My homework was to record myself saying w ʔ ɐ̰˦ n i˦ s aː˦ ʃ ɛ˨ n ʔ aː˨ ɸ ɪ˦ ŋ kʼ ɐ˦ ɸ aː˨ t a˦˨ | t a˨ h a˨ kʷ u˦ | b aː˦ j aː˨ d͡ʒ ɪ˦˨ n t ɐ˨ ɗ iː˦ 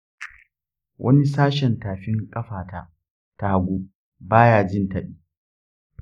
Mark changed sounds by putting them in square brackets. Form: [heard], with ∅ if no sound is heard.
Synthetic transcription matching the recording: w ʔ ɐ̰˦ n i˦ s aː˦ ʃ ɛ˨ n [t] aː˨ ɸ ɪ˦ ŋ kʼ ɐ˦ ɸ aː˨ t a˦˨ | t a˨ h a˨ [ɡʷ] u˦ | b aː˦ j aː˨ d͡ʒ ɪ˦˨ n t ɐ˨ ɗ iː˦